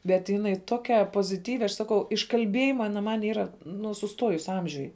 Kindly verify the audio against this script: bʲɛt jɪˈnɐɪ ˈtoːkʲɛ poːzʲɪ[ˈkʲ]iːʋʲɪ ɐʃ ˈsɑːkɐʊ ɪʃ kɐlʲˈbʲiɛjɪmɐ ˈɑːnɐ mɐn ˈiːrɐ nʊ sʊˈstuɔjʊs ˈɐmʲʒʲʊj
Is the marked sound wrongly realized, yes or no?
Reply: yes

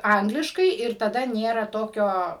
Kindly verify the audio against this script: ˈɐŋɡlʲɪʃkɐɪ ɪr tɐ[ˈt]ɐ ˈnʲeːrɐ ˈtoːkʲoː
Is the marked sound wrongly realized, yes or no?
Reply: yes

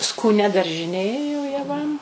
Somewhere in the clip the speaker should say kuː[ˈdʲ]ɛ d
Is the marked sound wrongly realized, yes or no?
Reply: yes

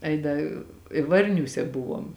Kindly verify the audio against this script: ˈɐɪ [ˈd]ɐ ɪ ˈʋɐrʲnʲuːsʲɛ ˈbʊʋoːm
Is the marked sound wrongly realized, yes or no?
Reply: no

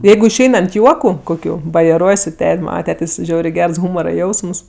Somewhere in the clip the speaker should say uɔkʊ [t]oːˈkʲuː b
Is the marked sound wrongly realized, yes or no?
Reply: yes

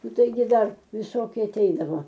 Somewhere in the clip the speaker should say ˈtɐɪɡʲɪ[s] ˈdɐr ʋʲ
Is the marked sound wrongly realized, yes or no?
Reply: yes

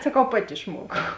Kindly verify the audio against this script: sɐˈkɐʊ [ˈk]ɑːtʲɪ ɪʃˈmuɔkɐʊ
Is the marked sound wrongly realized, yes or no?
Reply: yes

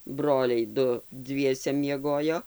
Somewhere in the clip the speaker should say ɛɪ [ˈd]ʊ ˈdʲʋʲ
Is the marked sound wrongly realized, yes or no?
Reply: no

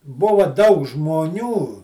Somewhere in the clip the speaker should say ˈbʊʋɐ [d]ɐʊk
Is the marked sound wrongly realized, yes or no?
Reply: no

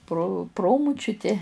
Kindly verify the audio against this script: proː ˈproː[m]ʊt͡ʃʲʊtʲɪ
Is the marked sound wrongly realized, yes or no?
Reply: no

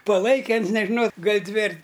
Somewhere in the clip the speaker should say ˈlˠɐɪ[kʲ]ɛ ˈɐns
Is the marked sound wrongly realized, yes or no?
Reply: no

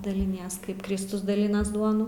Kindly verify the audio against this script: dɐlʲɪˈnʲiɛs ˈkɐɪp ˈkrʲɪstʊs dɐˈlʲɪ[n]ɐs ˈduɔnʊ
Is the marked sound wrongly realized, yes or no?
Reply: no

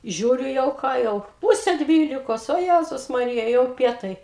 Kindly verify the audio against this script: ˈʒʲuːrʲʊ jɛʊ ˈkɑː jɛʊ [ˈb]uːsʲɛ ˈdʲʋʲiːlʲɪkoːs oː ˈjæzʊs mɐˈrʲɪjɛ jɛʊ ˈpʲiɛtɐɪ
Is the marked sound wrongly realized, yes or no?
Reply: yes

